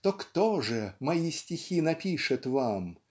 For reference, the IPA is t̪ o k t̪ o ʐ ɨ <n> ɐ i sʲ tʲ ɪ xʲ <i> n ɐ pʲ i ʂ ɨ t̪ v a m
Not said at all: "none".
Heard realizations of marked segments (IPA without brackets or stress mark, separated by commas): m, i